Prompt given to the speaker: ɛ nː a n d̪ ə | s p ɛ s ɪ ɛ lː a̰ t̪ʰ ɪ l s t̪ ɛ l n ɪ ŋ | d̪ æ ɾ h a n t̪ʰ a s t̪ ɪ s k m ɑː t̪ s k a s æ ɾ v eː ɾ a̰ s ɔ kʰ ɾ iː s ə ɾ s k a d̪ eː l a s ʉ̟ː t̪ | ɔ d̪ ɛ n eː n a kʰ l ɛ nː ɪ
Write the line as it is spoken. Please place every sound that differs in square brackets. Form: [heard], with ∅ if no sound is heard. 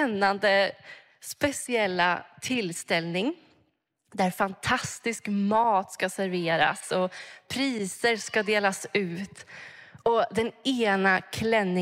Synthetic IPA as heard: ɛ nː a n d̪ ə | s p ɛ s ɪ ɛ lː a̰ t̪ʰ ɪ l s t̪ ɛ l n ɪ ŋ | d̪ æ ɾ [f] a n t̪ʰ a s t̪ ɪ s k m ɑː t̪ s k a s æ ɾ v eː ɾ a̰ s ɔ [pʰ] ɾ iː s ə ɾ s k a d̪ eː l a s ʉ̟ː t̪ | ɔ d̪ ɛ n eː n a kʰ l ɛ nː ɪ